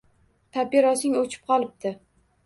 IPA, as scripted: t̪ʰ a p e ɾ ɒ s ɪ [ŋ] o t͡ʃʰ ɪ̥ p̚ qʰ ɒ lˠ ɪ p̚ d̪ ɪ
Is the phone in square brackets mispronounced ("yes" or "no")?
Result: no